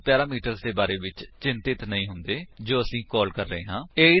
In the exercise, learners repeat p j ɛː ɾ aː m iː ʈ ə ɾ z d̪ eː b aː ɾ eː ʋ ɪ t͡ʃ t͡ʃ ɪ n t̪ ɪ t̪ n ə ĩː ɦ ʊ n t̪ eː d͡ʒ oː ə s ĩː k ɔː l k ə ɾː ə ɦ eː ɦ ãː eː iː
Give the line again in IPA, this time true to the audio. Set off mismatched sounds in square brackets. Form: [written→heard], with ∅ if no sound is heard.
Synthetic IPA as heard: p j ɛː ɾ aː m iː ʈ ə ɾ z d̪ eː b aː ɾ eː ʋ ɪ t͡ʃ t͡ʃ ɪ n t̪ ɪ t̪ n ə ĩː ɦ ʊ n [t̪→d̪] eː d͡ʒ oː ə s ĩː k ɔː l k ə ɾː ə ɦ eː ɦ ãː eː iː

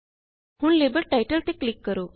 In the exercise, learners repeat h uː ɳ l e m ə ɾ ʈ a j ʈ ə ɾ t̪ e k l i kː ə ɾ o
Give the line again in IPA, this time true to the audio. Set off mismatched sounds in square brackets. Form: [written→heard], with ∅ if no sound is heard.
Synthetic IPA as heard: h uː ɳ l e [m→b] ə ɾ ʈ a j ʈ ə [ɾ→l] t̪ e k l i kː ə ɾ o

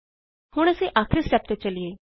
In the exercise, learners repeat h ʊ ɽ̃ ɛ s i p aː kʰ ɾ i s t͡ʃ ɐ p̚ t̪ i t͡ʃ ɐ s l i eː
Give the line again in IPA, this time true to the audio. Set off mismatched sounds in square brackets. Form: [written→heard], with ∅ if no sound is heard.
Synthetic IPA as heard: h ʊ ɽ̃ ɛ s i [p→ʔ] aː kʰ ɾ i s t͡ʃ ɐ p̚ t̪ [i→e] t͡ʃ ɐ [s→∅] l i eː

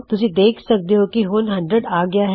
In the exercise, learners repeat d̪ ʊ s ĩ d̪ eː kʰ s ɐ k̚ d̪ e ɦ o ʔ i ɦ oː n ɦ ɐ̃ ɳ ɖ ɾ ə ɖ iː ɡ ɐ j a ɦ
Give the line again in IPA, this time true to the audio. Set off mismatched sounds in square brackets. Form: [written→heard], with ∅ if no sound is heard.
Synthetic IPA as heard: [d̪→t̪] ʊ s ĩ d̪ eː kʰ s ɐ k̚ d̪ e ɦ o [ʔ→k] i ɦ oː n ɦ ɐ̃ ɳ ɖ ɾ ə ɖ [iː→aː] ɡ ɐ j a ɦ

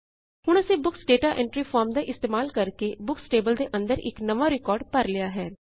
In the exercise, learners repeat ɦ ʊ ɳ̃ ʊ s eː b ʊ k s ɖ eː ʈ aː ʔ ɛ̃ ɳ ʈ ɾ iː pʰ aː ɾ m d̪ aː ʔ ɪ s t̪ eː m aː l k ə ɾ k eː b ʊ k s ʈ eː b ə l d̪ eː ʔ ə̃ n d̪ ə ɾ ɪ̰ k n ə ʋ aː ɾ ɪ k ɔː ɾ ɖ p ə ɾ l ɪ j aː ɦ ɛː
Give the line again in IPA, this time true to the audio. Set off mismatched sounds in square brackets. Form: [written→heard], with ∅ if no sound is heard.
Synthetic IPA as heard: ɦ ʊ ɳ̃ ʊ s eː b ʊ k s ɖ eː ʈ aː ʔ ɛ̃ ɳ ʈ ɾ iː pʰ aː ɾ m d̪ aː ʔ ɪ s t̪ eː m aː l k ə ɾ k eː b ʊ k s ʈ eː b ə l d̪ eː ʔ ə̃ n d̪ ə ɾ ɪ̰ k n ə ʋ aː ɾ ɪ k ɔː ɾ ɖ p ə ɾ l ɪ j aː ɦ ɛː

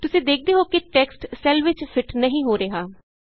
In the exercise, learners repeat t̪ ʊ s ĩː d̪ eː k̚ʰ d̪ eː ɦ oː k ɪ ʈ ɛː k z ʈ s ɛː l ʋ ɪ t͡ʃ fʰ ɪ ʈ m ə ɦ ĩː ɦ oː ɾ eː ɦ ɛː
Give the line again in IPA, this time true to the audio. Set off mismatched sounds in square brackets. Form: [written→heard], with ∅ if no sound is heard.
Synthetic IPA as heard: t̪ ʊ s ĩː d̪ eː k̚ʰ d̪ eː ɦ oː k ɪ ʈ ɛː k [z→s] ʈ s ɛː l ʋ ɪ t͡ʃ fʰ ɪ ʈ [m→n] ə ɦ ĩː ɦ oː ɾ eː ɦ [ɛː→aː]

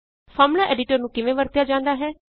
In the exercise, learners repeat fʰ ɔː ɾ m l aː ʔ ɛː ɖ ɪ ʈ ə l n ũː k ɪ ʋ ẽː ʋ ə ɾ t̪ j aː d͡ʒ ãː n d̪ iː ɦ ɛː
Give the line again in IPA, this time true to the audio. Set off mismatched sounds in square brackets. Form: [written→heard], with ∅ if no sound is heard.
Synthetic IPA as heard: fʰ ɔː ɾ m l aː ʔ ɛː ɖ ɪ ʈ ə [l→ɾ] n ũː k ɪ ʋ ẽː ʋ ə ɾ t̪ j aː d͡ʒ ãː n d̪ [iː→aː] ɦ ɛː

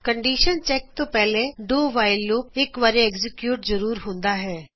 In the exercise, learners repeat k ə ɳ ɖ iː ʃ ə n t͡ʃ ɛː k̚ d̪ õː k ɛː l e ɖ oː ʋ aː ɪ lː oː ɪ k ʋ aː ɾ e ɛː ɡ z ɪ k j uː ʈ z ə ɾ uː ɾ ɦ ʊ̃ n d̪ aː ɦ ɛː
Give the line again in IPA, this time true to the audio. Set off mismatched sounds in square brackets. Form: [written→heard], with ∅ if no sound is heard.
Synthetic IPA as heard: k ə ɳ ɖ iː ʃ ə n t͡ʃ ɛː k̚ [d̪→t̪] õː [k→p] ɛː l e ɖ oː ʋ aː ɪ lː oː ɪ k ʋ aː ɾ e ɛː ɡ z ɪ k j uː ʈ z ə ɾ uː ɾ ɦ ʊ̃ n d̪ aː ɦ ɛː

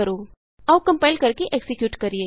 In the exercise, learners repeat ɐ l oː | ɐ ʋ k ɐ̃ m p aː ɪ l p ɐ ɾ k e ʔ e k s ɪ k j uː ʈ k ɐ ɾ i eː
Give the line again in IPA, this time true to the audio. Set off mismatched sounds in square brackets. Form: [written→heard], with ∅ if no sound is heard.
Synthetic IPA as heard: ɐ [l→ɾ] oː | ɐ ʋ k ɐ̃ m p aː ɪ l [p→k] ɐ ɾ k e ʔ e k s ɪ k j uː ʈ k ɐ ɾ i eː

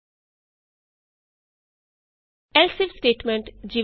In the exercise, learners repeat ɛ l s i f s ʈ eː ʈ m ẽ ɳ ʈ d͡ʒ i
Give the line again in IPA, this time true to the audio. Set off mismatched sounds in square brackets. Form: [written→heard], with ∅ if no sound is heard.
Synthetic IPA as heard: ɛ l s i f s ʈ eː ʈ m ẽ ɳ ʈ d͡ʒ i

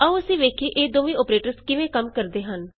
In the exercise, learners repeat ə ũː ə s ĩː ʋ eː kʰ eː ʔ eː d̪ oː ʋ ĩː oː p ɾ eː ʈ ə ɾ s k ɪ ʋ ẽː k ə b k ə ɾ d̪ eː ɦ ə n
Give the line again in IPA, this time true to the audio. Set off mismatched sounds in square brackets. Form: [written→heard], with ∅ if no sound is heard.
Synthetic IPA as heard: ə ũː ə s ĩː ʋ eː kʰ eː ʔ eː d̪ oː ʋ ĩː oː p ɾ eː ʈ ə ɾ s k ɪ ʋ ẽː k ə [b→m] k ə ɾ d̪ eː ɦ ə n

